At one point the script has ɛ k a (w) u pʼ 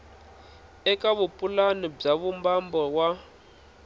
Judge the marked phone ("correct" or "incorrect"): incorrect